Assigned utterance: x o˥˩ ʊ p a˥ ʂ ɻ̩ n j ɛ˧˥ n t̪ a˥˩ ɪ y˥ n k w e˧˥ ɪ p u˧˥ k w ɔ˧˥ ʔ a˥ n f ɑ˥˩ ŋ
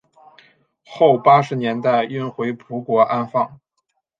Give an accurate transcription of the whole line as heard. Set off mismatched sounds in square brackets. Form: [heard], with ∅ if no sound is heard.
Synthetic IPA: x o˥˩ ʊ p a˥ ʂ ɻ̩ n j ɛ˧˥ n t̪ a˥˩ ɪ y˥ n [x] w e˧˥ ɪ [pʰ] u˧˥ k w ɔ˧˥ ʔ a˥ n f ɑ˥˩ ŋ

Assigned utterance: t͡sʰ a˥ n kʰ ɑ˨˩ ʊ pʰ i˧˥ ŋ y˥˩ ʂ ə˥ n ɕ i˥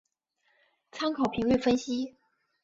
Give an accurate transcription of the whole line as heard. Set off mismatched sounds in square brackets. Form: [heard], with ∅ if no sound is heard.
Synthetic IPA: t͡sʰ a˥ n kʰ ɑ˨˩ ʊ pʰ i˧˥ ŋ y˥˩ [f] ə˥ n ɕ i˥

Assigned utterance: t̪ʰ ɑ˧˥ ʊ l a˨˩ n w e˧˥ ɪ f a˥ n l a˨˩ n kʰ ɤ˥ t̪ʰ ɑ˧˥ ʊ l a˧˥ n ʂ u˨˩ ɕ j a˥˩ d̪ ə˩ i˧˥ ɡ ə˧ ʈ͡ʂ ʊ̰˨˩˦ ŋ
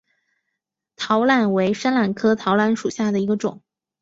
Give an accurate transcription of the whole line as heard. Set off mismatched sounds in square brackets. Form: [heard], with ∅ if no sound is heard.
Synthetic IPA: t̪ʰ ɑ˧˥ ʊ l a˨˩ n w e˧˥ ɪ [ʂ] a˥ n l a˨˩ n kʰ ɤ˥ t̪ʰ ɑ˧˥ ʊ l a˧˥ n ʂ u˨˩ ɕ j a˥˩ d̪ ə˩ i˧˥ ɡ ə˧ ʈ͡ʂ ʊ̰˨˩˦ ŋ

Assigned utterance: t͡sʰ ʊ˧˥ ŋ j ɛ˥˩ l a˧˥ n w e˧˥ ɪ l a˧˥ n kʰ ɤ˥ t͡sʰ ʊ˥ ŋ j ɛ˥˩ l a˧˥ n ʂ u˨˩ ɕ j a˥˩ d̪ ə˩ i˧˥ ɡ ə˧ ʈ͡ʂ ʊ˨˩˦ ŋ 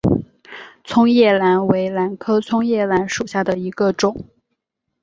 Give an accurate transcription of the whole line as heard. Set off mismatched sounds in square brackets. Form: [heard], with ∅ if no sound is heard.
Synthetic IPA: t͡sʰ [ʊ˥] ŋ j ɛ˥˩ l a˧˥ n w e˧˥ ɪ l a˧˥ n kʰ ɤ˥ t͡sʰ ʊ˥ ŋ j ɛ˥˩ l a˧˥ n ʂ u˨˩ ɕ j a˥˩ d̪ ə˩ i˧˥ ɡ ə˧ ʈ͡ʂ ʊ˨˩˦ ŋ

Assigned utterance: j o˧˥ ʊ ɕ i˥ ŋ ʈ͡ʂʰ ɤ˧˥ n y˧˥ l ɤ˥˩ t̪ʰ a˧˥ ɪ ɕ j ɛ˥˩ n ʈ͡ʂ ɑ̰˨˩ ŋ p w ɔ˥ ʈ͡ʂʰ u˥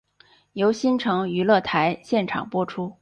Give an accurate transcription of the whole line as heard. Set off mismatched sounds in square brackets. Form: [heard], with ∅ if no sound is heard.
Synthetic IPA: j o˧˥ ʊ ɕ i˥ [n] ʈ͡ʂʰ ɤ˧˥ [ŋ] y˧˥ l ɤ˥˩ t̪ʰ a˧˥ ɪ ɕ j ɛ˥˩ n [ʈ͡ʂʰ] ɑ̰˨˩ ŋ p w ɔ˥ ʈ͡ʂʰ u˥

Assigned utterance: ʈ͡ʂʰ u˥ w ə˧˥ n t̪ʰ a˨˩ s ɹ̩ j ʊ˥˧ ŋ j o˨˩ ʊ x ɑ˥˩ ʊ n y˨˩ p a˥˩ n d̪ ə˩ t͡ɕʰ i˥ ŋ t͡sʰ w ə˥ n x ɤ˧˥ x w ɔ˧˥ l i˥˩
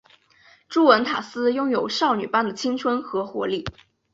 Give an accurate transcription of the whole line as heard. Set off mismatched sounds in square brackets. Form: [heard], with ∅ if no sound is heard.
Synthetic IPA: [ʈ͡ʂ] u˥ w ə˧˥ n t̪ʰ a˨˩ s ɹ̩ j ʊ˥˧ ŋ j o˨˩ ʊ [ʂ] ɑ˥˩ ʊ n y˨˩ p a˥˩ n d̪ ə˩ t͡ɕʰ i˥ ŋ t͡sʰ w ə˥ n x ɤ˧˥ x w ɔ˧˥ l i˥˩

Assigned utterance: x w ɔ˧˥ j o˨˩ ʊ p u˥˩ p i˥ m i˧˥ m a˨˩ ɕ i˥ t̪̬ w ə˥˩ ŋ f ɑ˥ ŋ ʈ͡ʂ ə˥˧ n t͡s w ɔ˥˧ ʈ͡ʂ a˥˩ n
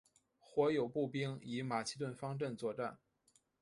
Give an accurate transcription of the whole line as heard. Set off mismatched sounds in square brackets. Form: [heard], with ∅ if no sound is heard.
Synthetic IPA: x w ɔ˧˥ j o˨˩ ʊ p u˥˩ p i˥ [ŋ] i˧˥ m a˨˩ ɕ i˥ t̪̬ w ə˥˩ [n] f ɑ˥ ŋ ʈ͡ʂ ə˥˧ n t͡s w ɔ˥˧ ʈ͡ʂ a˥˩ n

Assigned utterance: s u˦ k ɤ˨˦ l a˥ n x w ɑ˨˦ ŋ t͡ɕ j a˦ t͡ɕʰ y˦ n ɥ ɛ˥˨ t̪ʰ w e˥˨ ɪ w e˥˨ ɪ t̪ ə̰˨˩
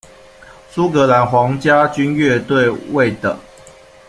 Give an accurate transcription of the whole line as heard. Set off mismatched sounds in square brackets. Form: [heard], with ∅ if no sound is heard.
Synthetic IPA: s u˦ k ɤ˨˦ l [a˨˦] n x w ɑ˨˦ ŋ t͡ɕ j a˦ [t͡ɕ] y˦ n ɥ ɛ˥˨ [t̪] w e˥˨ ɪ w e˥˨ ɪ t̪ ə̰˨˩

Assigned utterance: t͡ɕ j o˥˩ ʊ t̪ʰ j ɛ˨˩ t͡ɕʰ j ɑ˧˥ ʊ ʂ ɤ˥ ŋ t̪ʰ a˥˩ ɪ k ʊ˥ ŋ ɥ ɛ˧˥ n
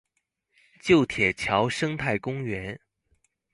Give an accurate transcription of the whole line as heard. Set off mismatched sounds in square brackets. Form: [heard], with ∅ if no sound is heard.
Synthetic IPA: t͡ɕ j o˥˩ ʊ t̪ʰ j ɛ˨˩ t͡ɕʰ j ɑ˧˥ ʊ ʂ ɤ˥ ŋ t̪ʰ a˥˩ ɪ k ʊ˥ ŋ ɥ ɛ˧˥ n

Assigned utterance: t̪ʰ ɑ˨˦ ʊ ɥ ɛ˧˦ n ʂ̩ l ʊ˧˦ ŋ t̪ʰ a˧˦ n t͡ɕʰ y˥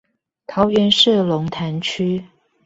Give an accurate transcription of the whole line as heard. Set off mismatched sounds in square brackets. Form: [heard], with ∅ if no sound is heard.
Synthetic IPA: t̪ʰ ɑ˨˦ ʊ ɥ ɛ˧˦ n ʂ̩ l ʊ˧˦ ŋ t̪ʰ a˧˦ n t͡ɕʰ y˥

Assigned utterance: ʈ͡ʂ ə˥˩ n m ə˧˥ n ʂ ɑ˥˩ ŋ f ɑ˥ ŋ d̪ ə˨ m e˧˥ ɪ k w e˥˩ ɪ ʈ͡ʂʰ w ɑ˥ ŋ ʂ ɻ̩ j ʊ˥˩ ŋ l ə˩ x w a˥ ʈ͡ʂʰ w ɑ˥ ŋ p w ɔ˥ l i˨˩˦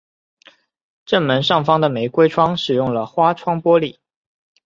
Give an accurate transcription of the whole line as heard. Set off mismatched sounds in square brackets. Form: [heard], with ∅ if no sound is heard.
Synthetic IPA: ʈ͡ʂ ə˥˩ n m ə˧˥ n ʂ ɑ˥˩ ŋ f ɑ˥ ŋ d̪ ə˨ m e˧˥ ɪ k w [e˥] ɪ ʈ͡ʂʰ w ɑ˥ ŋ ʂ ɻ̩ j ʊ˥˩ ŋ l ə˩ x w a˥ ʈ͡ʂʰ w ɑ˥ ŋ p w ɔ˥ l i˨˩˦

